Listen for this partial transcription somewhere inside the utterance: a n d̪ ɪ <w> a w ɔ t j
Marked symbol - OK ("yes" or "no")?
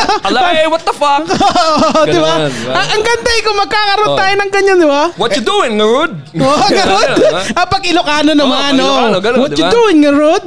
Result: no